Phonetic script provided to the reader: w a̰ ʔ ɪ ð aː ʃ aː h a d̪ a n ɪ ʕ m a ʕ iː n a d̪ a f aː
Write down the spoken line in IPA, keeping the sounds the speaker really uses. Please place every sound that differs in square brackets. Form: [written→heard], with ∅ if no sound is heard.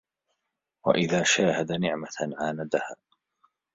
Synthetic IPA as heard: w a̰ ʔ ɪ ð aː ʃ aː h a d̪ a n ɪ ʕ m a ʕ [iː→aː] n a d̪ a [f→h] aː